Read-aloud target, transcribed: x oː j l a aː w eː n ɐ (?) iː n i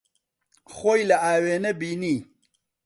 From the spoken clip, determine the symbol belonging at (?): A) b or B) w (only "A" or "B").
A